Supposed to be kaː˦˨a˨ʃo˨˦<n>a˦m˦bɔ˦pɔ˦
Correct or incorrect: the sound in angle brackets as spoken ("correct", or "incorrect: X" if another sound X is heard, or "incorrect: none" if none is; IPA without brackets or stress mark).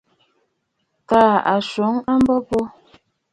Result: incorrect: ŋ